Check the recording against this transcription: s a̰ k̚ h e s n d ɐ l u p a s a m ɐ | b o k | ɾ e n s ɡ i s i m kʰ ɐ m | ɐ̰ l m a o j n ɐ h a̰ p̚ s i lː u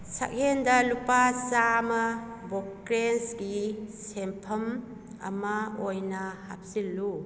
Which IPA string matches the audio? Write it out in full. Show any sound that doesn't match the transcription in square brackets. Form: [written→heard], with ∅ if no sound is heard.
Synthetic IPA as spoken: s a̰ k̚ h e [s→∅] n d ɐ l u p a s a m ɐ | b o k | ɾ e n s ɡ i s [i→e] m [kʰ→pʰ] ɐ m | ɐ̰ [l→∅] m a o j n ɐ h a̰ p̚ s i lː u